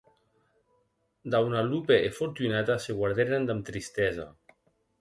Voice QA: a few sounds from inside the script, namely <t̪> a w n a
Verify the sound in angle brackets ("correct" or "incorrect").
incorrect